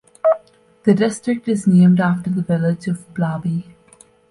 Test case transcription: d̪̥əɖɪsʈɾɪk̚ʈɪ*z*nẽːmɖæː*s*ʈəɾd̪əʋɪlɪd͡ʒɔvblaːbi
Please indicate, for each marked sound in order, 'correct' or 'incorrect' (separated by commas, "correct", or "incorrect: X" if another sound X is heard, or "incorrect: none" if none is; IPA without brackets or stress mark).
correct, incorrect: f